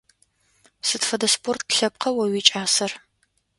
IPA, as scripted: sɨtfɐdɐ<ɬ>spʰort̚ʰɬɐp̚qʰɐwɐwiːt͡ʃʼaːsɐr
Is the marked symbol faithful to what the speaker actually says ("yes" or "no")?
no